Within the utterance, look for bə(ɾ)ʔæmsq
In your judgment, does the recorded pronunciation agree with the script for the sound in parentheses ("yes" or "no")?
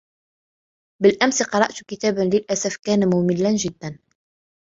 no